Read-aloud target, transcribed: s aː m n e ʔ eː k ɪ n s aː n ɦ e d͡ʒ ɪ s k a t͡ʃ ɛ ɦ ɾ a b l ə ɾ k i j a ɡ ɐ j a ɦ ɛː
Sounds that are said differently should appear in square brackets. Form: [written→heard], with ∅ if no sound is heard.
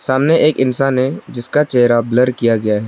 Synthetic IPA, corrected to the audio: s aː m n e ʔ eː k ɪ n s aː n ɦ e d͡ʒ ɪ s k a t͡ʃ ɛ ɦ ɾ a b l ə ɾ k i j a ɡ ɐ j a ɦ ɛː